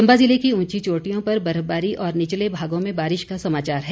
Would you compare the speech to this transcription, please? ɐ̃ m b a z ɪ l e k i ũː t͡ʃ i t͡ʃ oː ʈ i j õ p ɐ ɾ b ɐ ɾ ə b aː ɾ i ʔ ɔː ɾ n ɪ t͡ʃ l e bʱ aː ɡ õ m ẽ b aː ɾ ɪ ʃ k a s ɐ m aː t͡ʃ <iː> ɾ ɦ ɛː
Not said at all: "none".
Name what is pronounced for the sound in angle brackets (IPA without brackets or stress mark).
aː